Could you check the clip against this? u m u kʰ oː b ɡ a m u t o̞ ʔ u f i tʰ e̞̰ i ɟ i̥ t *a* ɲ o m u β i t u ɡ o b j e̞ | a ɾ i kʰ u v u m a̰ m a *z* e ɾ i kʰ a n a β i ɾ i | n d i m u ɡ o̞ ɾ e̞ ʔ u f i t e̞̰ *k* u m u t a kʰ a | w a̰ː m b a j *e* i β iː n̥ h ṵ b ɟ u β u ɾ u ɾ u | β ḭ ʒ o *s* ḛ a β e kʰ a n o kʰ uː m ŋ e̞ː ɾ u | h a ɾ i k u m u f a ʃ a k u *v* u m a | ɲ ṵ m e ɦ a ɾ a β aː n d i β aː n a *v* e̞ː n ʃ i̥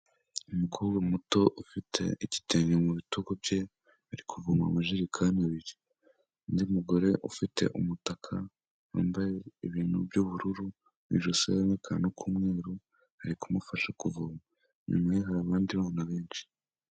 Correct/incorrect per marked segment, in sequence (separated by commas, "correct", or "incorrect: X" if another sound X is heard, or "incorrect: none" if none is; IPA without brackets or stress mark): incorrect: e, incorrect: ʒ, incorrect: ʔ, correct, correct, correct, incorrect: β